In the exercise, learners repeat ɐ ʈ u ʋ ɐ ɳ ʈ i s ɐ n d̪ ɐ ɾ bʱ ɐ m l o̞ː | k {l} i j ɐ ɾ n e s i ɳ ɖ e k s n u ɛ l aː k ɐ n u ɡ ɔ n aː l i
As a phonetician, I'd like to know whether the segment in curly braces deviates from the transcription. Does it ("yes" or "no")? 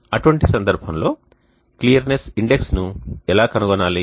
no